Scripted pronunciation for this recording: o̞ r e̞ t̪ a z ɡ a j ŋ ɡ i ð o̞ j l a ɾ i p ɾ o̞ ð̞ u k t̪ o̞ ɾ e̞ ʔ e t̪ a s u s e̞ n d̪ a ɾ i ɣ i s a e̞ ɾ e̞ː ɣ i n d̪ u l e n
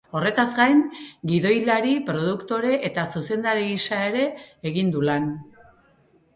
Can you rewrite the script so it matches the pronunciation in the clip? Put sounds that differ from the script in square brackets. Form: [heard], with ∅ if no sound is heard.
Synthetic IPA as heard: o̞ r e̞ t̪ a z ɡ a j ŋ ɡ i ð o̞ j l a ɾ i p ɾ o̞ ð̞ u k t̪ o̞ ɾ e̞ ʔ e t̪ a s u s e̞ n d̪ a ɾ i ɣ i s a e̞ ɾ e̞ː ɣ i n d̪ u l [a] n

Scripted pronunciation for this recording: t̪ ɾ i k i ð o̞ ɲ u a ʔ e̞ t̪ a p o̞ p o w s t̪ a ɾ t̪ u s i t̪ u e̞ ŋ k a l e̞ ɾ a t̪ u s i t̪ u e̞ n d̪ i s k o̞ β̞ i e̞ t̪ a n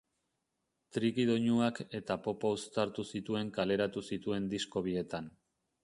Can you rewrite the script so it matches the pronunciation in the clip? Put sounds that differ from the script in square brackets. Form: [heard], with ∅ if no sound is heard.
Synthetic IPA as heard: t̪ ɾ i k i ð o̞ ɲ u a [k] e̞ t̪ a p o̞ p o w s t̪ a ɾ t̪ u s i t̪ u e̞ ŋ k a l e̞ ɾ a t̪ u s i t̪ u e̞ n d̪ i s k o̞ β̞ i e̞ t̪ a n

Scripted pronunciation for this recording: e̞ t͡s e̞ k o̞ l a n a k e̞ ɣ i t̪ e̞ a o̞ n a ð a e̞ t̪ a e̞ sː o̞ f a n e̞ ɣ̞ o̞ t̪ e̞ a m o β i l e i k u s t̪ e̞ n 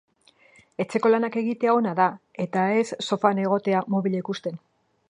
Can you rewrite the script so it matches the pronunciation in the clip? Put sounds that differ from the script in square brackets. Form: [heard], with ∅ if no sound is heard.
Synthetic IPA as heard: e̞ t͡s e̞ k o̞ l a n a k e̞ ɣ i t̪ e̞ a o̞ n a ð a e̞ t̪ a e̞ sː o̞ f a n e̞ ɣ̞ o̞ t̪ e̞ a m o β i l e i k u s t̪ e̞ n

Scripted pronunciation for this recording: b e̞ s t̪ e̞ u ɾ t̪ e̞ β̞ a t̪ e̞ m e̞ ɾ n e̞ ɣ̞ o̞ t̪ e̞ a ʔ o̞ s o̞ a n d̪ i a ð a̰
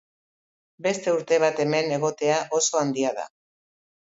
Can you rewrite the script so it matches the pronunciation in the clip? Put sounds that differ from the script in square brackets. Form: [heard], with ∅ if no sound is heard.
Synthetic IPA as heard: b e̞ s t̪ e̞ u ɾ t̪ e̞ β̞ a t̪ e̞ m e̞ [∅] n e̞ ɣ̞ o̞ t̪ e̞ a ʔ o̞ s o̞ a n d̪ i a ð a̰

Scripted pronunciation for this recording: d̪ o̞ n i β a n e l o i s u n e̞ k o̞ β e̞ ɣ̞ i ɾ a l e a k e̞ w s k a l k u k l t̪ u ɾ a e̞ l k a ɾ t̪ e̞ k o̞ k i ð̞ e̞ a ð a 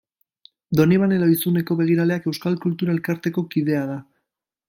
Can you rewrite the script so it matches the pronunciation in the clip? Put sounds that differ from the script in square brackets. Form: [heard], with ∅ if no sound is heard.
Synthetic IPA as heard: d̪ o̞ n i β a n e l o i s u n e̞ k o̞ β e̞ ɣ̞ i ɾ a l e a k e̞ w s k a l k u [∅] l t̪ u ɾ a e̞ l k a ɾ t̪ e̞ k o̞ k i ð̞ e̞ a ð a

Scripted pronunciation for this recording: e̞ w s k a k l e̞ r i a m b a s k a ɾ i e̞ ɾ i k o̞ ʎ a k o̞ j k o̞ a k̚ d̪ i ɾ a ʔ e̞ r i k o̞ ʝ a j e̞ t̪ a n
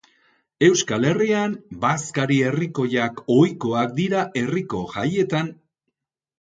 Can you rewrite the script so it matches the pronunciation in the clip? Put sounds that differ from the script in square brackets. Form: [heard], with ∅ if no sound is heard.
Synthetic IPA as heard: e̞ w s k a [∅] l e̞ r i a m b a s k a ɾ i e̞ [r] i k o̞ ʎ a k o̞ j k o̞ a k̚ d̪ i ɾ a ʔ e̞ r i k o̞ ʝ a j e̞ t̪ a n

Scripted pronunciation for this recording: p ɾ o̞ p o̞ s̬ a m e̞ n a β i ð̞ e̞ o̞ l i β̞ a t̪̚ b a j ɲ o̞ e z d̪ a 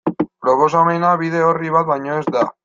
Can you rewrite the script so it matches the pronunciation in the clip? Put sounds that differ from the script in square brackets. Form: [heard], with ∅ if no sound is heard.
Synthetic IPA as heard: p ɾ o̞ p o̞ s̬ a m e̞ n a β i ð̞ e̞ o̞ [r] i β̞ a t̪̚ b a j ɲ o̞ e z d̪ a

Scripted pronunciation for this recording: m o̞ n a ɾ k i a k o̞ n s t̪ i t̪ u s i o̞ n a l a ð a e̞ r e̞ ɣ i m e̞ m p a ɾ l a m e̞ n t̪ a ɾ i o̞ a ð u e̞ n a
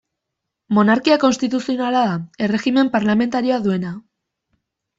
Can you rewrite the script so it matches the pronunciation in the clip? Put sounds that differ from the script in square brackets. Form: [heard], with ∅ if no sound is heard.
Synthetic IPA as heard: m o̞ n a ɾ k i a k o̞ n s t̪ i t̪ u s i o̞ n a l a ð a e̞ r e̞ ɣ i m e̞ m p a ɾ l a m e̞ n t̪ a ɾ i o̞ a ð u e̞ n a

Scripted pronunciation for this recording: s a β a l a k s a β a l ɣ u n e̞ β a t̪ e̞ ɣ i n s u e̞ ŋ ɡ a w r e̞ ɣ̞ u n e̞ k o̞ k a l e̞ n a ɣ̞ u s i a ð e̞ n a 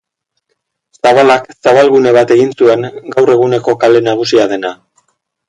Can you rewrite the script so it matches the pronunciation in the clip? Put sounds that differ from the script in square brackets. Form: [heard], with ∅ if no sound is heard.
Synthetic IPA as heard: s a β a l a k s a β a l ɣ u n e̞ β a t̪ e̞ ɣ i n s u e̞ ŋ ɡ a w r e̞ ɣ̞ u n e̞ k o̞ k a l e̞ n a ɣ̞ u s i a ð e̞ n a

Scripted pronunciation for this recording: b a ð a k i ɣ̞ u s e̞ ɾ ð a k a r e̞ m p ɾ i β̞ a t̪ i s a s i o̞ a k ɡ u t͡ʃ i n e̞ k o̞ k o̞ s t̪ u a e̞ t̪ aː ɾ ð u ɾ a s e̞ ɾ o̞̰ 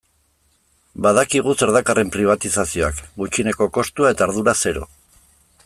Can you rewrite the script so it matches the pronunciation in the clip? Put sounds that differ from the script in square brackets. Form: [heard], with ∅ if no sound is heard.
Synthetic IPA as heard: b a ð a k i ɣ̞ u s e̞ ɾ ð a k a r e̞ m p ɾ i β̞ a t̪ i s a s i o̞ a k ɡ u t͡ʃ i n e̞ k o̞ k o̞ s t̪ u a e̞ t̪ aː ɾ ð u ɾ a s e̞ ɾ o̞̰

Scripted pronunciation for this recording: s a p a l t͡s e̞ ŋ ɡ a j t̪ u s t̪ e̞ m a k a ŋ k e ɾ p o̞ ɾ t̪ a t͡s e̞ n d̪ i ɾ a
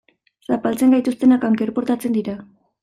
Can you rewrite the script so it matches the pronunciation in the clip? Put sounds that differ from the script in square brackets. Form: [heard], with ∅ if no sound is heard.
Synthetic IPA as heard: s a p a l t͡s e̞ ŋ ɡ a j t̪ u s t̪ e̞ [n] a k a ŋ k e ɾ p o̞ ɾ t̪ a t͡s e̞ n d̪ i ɾ a

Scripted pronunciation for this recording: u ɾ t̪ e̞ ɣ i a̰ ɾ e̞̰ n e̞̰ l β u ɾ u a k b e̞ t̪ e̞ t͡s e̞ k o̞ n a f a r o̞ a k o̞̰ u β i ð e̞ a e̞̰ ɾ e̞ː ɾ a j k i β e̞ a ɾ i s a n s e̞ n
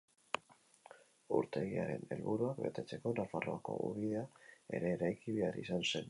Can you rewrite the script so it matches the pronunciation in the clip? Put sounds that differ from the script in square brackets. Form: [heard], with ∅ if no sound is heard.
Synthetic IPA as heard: u ɾ t̪ e̞ ɣ i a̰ ɾ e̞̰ n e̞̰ l β u ɾ u a k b e̞ t̪ e̞ t͡s e̞ k o̞ n a f a r o̞ a k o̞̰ u β i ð e̞ a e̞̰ ɾ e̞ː ɾ a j k i β e̞ a ɾ i s a n s e̞ n

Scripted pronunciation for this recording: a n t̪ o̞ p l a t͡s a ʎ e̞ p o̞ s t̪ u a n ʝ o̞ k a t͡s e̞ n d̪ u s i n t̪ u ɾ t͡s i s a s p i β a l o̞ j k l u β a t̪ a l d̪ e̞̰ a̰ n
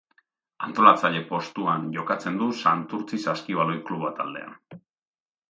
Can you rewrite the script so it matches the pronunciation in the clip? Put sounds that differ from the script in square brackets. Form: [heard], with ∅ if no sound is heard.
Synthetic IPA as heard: a n t̪ o̞ [∅] l a t͡s a ʎ e̞ p o̞ s t̪ u a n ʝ o̞ k a t͡s e̞ n d̪ u s [a] n t̪ u ɾ t͡s i s a s [k] i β a l o̞ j k l u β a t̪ a l d̪ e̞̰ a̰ n

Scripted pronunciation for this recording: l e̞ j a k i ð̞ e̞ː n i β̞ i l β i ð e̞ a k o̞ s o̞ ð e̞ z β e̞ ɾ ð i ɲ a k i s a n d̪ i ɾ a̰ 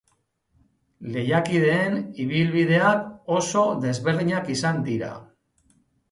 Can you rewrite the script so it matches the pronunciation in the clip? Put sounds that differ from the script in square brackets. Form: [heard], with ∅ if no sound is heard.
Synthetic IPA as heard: l e̞ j a k i ð̞ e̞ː n i β̞ i l β i ð e̞ a k o̞ s o̞ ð e̞ z β e̞ ɾ ð i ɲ a k i s a n d̪ i ɾ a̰

